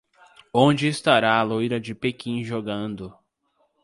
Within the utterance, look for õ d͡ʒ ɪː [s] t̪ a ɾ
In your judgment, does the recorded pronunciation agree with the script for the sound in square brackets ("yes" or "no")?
yes